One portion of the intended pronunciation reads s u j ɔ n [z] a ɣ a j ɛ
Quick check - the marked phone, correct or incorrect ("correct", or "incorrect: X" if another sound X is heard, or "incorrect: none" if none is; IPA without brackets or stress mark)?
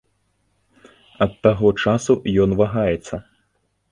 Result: incorrect: v